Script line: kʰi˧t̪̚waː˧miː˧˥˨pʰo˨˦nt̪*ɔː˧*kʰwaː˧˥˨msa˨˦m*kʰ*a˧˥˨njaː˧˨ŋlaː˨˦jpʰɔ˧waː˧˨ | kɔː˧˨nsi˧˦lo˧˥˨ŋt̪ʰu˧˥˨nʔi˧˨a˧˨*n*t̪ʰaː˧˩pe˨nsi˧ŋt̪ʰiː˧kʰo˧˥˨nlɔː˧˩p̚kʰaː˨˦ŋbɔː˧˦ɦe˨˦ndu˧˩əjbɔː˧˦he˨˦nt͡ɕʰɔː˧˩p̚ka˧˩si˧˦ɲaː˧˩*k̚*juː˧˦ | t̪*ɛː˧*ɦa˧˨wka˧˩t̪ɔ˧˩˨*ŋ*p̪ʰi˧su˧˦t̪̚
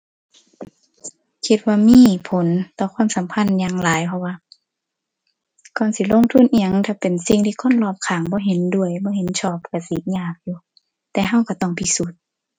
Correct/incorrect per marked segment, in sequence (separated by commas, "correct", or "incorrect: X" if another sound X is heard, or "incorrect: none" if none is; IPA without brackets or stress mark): correct, incorrect: pʰ, incorrect: ŋ, correct, correct, correct